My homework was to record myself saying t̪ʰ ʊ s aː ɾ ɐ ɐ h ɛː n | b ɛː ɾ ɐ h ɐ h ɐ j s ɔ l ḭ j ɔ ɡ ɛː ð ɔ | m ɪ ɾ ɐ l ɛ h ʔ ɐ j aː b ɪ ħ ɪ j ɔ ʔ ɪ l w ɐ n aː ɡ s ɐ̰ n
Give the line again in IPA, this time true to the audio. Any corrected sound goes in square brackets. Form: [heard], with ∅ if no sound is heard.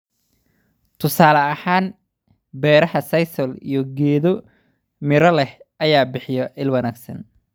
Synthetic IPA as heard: t̪ʰ ʊ s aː [l] ɐ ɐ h [aː] n | b ɛː ɾ ɐ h ɐ [s] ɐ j s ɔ l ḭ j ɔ ɡ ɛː ð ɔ | m ɪ ɾ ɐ l ɛ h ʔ ɐ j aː b ɪ ħ ɪ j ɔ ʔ ɪ l w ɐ n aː ɡ s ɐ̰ n